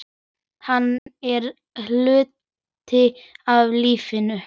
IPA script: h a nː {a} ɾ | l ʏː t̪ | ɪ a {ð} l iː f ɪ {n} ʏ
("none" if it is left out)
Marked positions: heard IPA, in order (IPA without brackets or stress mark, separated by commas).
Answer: ɛ, v, n